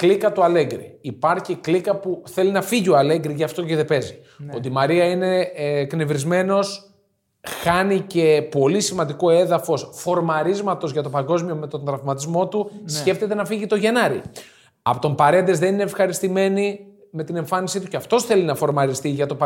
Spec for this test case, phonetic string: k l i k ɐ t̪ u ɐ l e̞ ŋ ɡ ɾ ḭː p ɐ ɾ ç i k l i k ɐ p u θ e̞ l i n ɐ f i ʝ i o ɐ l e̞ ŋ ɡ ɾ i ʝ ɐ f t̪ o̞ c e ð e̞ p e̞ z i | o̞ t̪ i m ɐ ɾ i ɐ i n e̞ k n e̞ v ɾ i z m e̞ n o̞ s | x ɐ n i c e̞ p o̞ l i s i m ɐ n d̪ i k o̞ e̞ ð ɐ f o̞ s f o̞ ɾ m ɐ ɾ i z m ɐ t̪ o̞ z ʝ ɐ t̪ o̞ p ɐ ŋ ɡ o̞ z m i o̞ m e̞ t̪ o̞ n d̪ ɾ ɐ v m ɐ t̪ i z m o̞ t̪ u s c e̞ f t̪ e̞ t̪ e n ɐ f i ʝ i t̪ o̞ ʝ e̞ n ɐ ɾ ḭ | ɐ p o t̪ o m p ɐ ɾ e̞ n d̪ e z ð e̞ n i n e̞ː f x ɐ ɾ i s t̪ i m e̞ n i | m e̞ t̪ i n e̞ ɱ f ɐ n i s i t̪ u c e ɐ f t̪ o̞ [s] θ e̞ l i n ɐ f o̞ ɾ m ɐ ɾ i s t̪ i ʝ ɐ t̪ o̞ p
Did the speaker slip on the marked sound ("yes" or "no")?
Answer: no